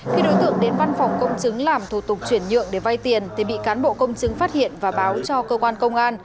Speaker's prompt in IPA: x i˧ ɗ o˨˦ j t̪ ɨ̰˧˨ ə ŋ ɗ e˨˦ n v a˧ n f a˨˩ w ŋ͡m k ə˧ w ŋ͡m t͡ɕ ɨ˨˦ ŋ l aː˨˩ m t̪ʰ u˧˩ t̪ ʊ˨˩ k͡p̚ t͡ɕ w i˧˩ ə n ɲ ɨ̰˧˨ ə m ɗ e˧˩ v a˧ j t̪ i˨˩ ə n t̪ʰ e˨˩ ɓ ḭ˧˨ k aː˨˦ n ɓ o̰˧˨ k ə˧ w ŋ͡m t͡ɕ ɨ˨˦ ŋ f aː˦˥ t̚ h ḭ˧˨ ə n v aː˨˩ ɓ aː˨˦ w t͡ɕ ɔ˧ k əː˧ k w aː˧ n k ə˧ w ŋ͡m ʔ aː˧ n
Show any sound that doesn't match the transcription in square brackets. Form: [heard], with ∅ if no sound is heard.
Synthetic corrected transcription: x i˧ ɗ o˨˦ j t̪ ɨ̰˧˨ ə ŋ ɗ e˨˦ n v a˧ n f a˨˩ w ŋ͡m k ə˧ w ŋ͡m t͡ɕ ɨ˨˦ ŋ l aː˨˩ m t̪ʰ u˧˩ t̪ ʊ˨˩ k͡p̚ t͡ɕ w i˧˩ ə n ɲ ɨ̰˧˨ ə [ŋ] ɗ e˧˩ v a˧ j t̪ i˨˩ ə n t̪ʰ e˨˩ ɓ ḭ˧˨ k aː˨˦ n ɓ o̰˧˨ k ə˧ w ŋ͡m t͡ɕ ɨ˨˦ ŋ f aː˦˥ t̚ h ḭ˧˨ ə n v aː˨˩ ɓ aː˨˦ w t͡ɕ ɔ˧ k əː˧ k w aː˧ n k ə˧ w ŋ͡m ʔ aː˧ n